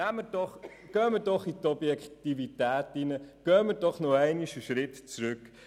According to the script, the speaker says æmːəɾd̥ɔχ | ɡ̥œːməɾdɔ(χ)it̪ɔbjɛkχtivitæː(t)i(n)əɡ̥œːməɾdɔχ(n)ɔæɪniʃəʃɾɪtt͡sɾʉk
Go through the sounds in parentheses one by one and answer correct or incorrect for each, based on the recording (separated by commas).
correct, correct, correct, correct